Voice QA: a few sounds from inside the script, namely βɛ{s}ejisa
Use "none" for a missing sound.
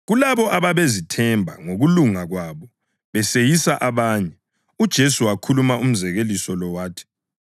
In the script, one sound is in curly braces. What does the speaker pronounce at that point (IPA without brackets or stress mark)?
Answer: s